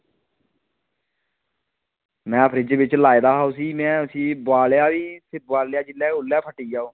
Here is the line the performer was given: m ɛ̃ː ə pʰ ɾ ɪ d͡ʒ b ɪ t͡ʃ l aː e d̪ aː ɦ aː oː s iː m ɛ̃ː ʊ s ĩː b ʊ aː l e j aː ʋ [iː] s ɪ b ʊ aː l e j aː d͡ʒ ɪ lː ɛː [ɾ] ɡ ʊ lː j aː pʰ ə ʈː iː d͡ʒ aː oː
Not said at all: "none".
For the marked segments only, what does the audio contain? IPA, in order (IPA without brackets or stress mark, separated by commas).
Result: iː, none